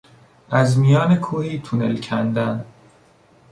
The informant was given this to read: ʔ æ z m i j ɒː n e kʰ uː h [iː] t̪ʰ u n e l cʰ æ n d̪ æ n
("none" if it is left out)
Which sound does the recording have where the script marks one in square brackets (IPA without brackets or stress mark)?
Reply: iː